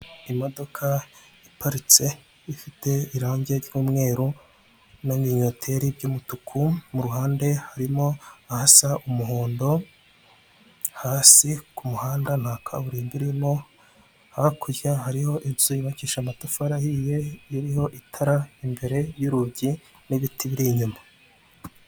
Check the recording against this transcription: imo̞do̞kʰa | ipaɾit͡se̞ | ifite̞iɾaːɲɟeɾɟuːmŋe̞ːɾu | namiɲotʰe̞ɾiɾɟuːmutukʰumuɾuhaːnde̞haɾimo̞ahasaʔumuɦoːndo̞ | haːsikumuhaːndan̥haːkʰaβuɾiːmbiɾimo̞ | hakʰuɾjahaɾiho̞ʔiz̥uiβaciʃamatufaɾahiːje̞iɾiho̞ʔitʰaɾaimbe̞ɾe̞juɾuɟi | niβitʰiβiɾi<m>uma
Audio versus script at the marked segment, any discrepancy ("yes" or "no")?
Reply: yes